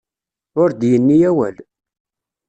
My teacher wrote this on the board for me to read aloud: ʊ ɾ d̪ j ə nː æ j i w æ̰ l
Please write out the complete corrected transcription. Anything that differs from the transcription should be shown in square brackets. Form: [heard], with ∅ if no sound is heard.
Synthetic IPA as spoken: ʊ ɾ d̪ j ə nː [i] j [æ] w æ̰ l